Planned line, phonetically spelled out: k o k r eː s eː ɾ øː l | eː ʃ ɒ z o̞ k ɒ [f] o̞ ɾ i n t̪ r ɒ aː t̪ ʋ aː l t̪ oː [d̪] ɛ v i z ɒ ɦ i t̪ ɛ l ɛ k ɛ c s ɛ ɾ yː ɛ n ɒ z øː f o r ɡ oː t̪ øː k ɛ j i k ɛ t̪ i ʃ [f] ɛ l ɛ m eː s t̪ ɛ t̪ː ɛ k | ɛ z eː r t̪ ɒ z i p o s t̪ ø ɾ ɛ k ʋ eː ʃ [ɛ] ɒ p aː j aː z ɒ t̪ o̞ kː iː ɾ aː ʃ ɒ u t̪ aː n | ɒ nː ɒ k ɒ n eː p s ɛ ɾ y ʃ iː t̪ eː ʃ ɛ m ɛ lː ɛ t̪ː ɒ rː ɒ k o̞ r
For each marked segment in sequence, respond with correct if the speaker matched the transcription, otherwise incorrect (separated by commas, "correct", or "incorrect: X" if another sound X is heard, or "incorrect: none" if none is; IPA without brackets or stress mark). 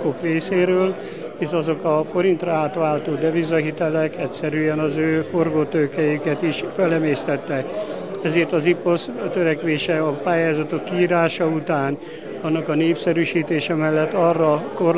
correct, correct, correct, correct